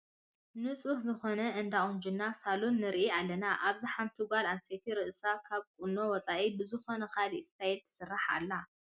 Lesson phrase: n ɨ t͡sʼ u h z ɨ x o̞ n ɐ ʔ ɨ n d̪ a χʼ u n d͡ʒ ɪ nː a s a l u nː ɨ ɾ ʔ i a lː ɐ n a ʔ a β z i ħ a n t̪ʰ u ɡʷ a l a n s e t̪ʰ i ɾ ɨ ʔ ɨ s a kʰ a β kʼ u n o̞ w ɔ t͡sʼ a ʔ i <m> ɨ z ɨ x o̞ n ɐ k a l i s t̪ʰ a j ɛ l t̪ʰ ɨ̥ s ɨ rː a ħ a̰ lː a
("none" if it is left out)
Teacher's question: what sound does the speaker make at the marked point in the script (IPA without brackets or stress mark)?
b